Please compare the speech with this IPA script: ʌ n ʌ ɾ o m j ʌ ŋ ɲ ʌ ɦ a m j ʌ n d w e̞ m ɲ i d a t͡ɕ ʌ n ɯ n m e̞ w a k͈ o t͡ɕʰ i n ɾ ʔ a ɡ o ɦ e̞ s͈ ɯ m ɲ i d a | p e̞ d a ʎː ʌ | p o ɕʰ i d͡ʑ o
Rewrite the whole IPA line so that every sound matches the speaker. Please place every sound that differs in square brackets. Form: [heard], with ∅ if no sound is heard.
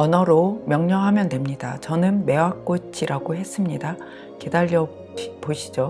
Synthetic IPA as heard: ʌ n ʌ ɾ o m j ʌ ŋ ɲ ʌ ɦ a m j ʌ n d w e̞ m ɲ i d a t͡ɕ ʌ n ɯ n m e̞ w a k͈ o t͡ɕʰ i [∅] ɾ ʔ a ɡ o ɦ e̞ s͈ ɯ m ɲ i d a | [k] e̞ d a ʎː ʌ | p o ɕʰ i d͡ʑ o